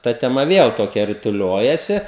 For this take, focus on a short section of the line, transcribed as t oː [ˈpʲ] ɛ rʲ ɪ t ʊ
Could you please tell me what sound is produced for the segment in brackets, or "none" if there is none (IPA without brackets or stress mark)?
kʲ